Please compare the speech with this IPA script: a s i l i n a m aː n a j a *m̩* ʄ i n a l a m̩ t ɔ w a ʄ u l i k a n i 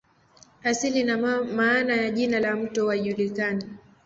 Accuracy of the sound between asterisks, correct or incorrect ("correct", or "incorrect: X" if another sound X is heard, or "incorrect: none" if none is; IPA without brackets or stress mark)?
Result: incorrect: none